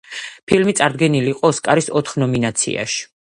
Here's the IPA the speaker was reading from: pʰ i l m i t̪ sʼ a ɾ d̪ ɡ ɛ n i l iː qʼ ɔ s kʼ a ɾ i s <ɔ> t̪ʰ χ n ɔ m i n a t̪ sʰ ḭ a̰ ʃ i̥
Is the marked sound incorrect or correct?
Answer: correct